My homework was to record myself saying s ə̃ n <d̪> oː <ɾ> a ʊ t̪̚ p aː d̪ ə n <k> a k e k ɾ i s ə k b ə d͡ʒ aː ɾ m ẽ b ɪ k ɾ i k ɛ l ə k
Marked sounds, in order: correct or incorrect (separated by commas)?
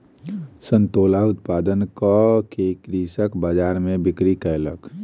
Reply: incorrect, incorrect, correct